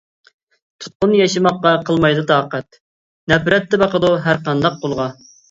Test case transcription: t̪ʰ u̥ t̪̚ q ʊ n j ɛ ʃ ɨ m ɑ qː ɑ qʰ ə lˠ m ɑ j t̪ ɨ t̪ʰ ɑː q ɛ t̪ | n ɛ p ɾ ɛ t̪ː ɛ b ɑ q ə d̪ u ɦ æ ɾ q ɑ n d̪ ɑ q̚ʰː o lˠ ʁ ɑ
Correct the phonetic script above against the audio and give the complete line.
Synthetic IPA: t̪ʰ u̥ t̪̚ q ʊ n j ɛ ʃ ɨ m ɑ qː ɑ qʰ ə lˠ m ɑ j d̪ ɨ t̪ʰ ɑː q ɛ t̪ | n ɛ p ɾ ɛ t̪ː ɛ b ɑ q ə d̪ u ɦ æ ɾ q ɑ n d̪ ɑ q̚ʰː o lˠ ʁ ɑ